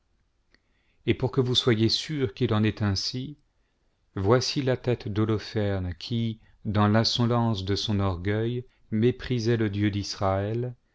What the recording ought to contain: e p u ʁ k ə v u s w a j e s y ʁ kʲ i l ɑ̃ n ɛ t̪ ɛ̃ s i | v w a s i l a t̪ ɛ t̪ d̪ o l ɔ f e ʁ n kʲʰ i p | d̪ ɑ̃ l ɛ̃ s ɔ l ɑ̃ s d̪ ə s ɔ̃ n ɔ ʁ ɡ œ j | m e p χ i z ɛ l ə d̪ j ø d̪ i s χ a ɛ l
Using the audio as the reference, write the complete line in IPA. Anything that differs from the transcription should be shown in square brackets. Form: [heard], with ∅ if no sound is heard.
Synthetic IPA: e p u ʁ k ə v u s w a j e s y ʁ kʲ i l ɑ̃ n ɛ t̪ ɛ̃ s i | v w a s i l a t̪ ɛ t̪ d̪ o l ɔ f [ɛ] ʁ n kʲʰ i [∅] | d̪ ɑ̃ l ɛ̃ s ɔ l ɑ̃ s d̪ ə s ɔ̃ n ɔ ʁ ɡ œ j | m e p χ i z ɛ l ə d̪ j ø d̪ i s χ a ɛ l